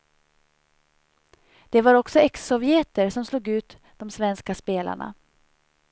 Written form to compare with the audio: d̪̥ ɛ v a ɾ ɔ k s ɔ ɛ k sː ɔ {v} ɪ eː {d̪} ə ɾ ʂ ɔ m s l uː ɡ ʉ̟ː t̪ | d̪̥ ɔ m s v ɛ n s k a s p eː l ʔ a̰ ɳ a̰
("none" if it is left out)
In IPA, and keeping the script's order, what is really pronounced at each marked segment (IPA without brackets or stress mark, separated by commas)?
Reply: v, t̪